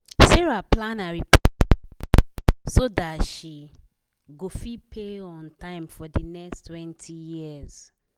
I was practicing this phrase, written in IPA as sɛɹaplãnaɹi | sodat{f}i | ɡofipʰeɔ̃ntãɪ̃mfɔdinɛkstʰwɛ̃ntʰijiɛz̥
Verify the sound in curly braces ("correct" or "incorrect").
incorrect